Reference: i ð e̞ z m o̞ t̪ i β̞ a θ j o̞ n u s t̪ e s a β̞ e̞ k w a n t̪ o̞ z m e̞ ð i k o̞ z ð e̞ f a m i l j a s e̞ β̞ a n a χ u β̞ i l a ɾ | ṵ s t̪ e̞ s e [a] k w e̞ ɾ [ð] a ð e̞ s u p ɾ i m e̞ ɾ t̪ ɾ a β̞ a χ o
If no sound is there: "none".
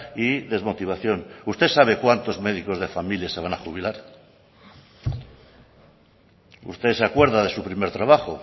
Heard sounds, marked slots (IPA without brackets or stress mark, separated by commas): a, ð